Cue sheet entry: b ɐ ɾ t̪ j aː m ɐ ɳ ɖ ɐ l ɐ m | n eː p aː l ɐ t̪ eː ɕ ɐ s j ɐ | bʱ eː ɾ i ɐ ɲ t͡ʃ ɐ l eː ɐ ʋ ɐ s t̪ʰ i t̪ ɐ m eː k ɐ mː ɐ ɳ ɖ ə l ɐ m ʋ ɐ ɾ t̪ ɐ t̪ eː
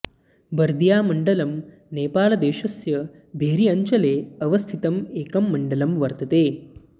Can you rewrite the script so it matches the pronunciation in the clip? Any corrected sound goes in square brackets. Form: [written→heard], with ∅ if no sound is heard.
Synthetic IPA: b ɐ ɾ [t̪→d̪] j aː m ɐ ɳ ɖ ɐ l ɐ m | n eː p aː l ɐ [t̪→d̪] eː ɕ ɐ s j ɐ | bʱ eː ɾ i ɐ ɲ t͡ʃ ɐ l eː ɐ ʋ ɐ s t̪ʰ i t̪ ɐ m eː k ɐ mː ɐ ɳ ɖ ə l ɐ m ʋ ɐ ɾ t̪ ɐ t̪ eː